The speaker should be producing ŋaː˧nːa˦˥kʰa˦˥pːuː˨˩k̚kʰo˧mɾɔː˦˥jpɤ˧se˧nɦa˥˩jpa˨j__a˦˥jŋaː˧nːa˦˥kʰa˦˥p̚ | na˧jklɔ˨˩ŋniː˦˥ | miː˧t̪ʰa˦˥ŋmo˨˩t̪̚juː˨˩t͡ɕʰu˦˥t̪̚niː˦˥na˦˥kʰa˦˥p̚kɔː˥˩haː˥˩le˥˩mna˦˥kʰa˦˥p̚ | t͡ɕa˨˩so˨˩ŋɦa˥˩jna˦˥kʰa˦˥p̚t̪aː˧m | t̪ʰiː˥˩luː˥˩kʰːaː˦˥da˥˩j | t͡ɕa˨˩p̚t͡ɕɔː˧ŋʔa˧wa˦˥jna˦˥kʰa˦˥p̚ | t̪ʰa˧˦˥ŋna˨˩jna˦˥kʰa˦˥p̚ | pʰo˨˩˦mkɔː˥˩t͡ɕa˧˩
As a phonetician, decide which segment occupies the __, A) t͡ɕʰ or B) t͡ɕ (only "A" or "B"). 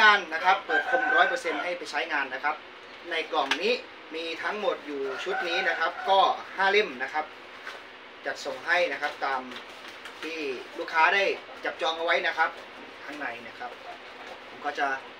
A